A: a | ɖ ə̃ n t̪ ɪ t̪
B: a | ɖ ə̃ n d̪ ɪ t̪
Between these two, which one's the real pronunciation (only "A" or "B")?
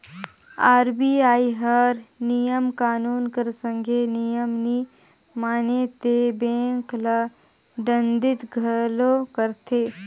B